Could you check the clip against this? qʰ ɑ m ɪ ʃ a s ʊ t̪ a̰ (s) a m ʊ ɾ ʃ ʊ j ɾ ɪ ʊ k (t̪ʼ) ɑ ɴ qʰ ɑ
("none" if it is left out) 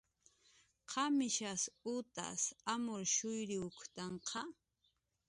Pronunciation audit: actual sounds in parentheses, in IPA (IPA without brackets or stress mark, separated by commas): s, t̪